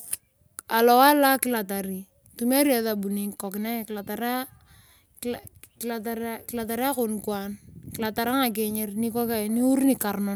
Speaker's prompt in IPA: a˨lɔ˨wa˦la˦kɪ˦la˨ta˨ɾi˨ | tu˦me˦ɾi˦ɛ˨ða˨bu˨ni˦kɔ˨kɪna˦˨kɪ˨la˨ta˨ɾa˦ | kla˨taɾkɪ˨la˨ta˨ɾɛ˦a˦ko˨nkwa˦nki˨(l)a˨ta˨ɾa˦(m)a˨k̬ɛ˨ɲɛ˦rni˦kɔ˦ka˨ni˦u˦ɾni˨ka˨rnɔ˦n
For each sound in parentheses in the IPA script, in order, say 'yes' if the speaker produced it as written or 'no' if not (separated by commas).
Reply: yes, no